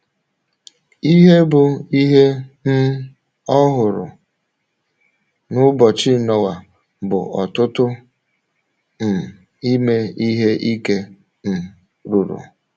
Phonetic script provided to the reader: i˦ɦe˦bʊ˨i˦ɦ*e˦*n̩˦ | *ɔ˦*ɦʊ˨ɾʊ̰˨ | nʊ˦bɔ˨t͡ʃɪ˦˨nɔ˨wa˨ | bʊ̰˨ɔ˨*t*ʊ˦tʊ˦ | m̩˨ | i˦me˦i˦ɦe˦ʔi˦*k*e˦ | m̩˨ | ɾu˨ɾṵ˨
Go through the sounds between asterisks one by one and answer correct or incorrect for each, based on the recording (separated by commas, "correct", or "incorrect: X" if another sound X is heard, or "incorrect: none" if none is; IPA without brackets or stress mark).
correct, correct, correct, correct